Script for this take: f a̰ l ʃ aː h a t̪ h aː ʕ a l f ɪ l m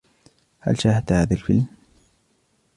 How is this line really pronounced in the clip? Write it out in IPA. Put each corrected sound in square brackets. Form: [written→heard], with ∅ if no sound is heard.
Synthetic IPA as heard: [f→h] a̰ l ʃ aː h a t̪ h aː [ʕ→ð] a l f ɪ l m